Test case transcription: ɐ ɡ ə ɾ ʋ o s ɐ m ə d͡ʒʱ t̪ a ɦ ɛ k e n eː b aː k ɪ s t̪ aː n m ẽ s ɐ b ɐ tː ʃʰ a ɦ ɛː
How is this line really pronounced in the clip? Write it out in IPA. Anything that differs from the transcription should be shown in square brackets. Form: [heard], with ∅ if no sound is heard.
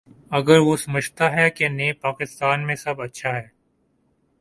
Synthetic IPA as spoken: ɐ ɡ ə ɾ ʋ o s ɐ m ə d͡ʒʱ t̪ a ɦ ɛ k e n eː [p] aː k ɪ s t̪ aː n m ẽ s ɐ b ɐ tː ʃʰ a ɦ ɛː